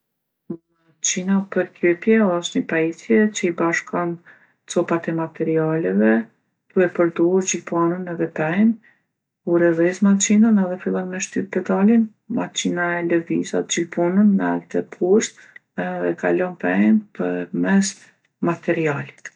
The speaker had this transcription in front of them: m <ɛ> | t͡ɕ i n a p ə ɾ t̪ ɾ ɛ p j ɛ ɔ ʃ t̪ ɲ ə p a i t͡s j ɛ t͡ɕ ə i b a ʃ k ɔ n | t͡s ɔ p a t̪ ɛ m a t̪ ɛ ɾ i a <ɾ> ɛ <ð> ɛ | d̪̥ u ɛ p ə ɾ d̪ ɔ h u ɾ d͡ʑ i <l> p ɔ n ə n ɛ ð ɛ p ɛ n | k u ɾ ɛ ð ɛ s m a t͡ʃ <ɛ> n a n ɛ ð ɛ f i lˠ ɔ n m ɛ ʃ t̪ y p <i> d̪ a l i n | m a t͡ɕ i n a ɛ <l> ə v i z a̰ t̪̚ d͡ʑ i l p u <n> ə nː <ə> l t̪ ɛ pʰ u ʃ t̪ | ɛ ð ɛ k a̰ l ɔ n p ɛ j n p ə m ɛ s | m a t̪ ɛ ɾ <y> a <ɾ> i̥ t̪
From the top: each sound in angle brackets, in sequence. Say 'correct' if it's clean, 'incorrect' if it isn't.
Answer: incorrect: a, incorrect: l, incorrect: v, correct, incorrect: i, incorrect: ɛ, correct, correct, incorrect: a, incorrect: i, incorrect: l

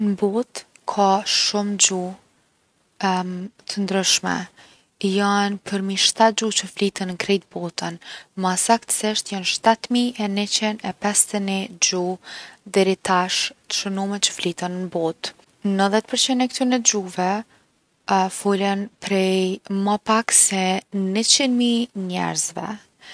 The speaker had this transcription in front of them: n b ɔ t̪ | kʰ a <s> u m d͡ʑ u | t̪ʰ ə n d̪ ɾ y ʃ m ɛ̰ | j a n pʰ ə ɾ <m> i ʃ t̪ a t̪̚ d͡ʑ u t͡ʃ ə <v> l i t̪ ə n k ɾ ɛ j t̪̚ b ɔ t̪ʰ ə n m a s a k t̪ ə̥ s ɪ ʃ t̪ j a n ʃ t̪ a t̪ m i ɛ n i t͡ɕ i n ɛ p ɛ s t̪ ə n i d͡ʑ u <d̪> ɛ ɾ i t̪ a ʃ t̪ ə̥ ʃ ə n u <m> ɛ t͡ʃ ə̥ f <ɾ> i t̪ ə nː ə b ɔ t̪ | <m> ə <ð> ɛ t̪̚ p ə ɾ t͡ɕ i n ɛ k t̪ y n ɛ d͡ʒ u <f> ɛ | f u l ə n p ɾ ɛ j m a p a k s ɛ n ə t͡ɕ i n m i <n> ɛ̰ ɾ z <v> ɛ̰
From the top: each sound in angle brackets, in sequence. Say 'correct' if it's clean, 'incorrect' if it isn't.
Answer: incorrect: ʃ, correct, incorrect: f, correct, correct, incorrect: l, incorrect: n, correct, incorrect: v, incorrect: ɲ, correct

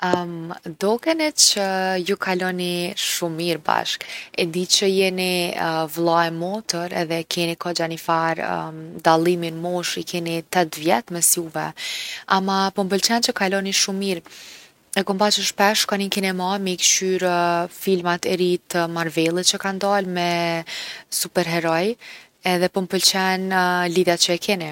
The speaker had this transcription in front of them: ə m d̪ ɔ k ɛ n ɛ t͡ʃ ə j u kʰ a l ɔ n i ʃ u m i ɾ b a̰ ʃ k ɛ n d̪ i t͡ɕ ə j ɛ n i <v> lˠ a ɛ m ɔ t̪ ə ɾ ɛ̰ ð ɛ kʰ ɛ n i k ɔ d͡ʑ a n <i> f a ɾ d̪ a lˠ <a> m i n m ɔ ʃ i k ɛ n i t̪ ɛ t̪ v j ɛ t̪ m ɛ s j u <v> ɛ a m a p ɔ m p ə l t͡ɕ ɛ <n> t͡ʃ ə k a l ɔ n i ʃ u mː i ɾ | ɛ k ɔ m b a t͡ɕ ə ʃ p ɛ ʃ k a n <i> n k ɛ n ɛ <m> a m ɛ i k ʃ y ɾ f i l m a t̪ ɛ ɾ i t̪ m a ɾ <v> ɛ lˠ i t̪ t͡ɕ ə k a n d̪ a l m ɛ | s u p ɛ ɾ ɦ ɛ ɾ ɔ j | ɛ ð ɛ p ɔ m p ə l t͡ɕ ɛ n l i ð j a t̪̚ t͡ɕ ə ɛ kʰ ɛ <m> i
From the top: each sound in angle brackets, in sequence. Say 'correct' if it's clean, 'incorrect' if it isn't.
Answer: correct, correct, incorrect: i, correct, correct, correct, correct, correct, incorrect: n

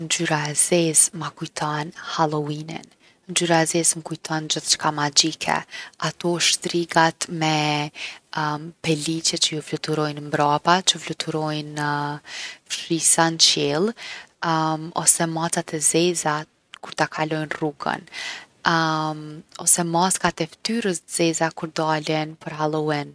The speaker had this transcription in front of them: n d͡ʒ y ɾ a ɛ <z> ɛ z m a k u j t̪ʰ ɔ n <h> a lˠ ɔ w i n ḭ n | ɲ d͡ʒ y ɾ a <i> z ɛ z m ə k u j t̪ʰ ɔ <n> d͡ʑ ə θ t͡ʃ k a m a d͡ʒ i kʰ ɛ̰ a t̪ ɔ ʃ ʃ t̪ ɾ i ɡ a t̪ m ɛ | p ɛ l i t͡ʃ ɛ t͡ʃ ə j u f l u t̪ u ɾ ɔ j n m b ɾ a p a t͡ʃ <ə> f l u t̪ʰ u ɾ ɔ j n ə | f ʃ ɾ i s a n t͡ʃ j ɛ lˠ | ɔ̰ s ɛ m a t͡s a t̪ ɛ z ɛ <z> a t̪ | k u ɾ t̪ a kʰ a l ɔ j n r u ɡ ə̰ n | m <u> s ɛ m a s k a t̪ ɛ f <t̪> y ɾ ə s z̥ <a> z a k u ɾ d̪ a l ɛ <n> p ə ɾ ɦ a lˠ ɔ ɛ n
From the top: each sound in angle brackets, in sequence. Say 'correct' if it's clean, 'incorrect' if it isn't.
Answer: correct, correct, incorrect: ɛ, correct, correct, correct, incorrect: ɔ, correct, incorrect: ɛ, correct

